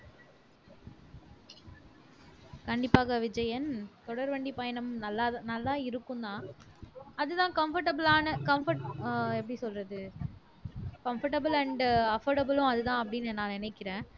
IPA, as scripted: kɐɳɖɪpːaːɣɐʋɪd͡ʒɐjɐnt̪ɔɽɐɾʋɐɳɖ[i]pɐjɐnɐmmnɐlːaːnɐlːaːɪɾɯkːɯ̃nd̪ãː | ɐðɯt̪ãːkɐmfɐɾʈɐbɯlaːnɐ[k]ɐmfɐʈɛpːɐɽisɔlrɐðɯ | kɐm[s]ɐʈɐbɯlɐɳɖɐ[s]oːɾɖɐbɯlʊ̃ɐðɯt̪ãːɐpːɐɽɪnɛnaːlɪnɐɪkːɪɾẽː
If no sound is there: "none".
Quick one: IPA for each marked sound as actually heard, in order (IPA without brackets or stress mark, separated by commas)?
i, k, f, f